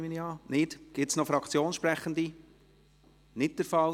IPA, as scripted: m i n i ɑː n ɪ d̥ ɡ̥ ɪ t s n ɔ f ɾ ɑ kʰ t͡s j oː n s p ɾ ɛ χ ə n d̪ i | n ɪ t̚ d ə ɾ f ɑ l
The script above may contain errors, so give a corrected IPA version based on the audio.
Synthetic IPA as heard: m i n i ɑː n ɪ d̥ ɡ̥ ɪ t s n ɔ f ɾ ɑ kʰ t͡s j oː n ʃ p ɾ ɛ χ ə n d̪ i | n ɪ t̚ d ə ɾ f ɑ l